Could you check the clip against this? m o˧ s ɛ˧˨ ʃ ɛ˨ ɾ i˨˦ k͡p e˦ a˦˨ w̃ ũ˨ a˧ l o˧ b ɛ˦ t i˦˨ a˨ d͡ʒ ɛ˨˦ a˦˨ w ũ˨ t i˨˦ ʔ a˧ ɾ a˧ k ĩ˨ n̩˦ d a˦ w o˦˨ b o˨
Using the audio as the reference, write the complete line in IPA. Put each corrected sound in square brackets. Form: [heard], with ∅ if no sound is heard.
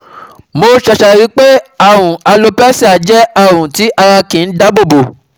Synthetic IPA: m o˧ [ʃ] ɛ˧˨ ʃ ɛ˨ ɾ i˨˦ k͡p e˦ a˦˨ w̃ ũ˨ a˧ l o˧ [p] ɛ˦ [s] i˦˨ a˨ d͡ʒ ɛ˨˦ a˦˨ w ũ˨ t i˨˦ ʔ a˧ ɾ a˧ k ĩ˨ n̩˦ d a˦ [b] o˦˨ b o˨